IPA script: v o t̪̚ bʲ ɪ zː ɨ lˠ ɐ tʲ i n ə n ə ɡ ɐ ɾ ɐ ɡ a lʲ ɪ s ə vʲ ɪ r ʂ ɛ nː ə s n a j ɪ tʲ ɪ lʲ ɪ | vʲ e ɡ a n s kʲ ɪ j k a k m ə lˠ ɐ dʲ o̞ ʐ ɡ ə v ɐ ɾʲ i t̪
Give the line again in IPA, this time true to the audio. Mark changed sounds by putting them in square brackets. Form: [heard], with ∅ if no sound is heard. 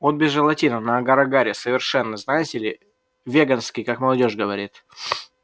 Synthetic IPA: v o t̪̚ bʲ ɪ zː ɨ lˠ ɐ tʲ i n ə n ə ɡ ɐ ɾ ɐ ɡ a [ɾʲ] ɪ s ə vʲ ɪ r ʂ ɛ nː ə [z] n a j ɪ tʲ ɪ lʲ ɪ | vʲ e ɡ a n s kʲ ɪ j k a k m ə lˠ ɐ dʲ o̞ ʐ ɡ ə v ɐ ɾʲ i t̪